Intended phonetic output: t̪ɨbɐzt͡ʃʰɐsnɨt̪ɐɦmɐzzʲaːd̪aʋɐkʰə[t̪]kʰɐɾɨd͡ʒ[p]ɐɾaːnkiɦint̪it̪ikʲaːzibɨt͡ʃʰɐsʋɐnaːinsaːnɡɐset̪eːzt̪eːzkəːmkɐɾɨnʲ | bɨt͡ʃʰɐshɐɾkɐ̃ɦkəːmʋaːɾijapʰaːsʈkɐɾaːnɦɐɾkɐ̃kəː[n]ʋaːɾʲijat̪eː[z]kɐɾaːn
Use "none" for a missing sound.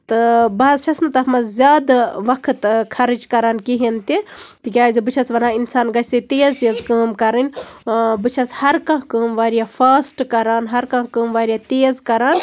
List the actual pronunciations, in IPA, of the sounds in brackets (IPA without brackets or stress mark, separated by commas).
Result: t̪, k, m, z